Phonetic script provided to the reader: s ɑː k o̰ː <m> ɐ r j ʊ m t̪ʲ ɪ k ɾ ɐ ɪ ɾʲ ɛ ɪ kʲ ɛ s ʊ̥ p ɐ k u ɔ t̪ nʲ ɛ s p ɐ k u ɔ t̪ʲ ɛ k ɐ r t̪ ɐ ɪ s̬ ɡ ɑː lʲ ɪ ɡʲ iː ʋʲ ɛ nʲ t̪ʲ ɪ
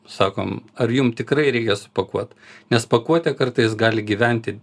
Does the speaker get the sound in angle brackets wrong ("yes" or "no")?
no